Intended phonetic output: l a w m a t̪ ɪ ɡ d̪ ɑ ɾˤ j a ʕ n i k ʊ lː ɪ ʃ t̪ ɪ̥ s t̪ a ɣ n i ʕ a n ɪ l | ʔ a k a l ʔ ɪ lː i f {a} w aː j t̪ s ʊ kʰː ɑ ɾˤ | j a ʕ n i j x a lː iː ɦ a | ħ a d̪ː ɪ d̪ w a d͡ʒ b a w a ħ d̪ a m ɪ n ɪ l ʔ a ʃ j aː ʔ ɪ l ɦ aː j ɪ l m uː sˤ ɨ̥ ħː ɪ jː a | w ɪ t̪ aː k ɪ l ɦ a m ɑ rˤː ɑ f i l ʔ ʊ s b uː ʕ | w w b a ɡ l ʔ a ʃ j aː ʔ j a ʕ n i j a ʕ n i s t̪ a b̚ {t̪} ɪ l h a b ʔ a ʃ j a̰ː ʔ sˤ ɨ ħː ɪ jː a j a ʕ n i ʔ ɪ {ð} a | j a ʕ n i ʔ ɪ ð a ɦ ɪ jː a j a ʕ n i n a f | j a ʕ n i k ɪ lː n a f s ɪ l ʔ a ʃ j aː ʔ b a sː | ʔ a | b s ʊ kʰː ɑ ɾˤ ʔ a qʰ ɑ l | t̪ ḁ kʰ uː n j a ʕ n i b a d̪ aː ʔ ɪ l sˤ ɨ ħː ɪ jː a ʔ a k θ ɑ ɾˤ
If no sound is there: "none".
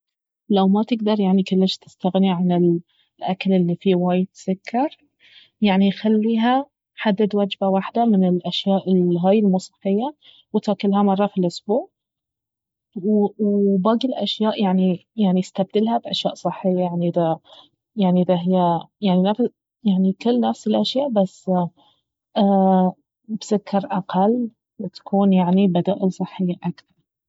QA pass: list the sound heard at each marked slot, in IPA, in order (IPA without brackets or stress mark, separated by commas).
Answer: i, d̪, ð